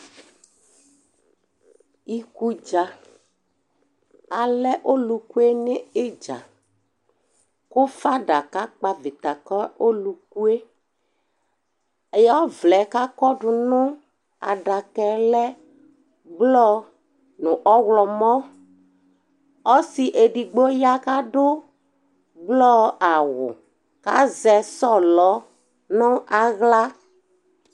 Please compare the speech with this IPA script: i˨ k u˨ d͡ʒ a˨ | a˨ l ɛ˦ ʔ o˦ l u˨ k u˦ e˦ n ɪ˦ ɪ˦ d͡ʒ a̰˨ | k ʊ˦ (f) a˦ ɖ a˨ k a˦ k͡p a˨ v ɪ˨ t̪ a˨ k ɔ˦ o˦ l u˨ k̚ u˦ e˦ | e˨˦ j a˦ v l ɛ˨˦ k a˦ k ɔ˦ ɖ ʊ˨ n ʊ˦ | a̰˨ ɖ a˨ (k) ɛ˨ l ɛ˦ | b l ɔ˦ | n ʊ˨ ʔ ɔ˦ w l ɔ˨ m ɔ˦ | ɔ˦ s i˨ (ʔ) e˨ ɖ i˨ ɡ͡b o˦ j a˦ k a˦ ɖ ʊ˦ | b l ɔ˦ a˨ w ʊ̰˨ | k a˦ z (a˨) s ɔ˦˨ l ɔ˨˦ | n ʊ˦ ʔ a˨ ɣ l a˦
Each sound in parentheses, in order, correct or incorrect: correct, correct, correct, incorrect: ɛ˨

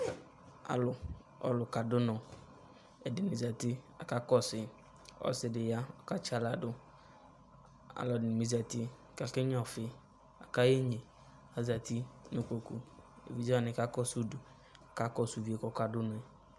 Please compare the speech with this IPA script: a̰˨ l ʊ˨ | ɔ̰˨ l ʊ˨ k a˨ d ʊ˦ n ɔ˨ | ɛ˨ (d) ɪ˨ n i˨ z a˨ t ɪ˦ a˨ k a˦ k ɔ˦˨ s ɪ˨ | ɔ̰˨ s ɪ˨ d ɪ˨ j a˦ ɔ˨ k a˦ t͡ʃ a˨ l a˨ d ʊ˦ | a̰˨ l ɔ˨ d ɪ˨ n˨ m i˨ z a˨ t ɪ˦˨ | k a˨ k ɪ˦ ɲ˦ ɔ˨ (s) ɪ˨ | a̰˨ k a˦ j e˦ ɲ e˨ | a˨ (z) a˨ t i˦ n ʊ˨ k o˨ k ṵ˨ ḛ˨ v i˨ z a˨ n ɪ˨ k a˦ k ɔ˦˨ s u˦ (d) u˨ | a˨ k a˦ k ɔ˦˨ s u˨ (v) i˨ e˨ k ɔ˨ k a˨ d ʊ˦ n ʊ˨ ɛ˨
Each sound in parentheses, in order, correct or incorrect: correct, incorrect: f, correct, correct, correct

